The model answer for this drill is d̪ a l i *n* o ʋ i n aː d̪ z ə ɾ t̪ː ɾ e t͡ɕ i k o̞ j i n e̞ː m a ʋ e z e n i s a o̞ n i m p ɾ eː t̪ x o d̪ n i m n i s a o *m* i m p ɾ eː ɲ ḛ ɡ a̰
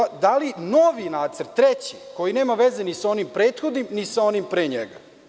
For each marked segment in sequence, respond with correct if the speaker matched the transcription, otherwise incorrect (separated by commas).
correct, incorrect